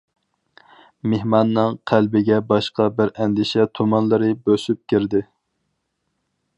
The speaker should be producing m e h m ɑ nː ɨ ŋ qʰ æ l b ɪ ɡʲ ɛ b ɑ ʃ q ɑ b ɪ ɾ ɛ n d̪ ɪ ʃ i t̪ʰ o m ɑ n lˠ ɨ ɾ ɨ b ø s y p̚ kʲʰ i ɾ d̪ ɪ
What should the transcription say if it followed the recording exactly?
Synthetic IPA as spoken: m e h m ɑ nː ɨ ŋ qʰ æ l b ɪ ɡʲ ɛ b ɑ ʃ q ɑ b ɪ ɾ ɛ n d̪ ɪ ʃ ɛ t̪ʰ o m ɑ n lˠ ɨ ɾ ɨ b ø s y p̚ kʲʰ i ɾ d̪ ɪ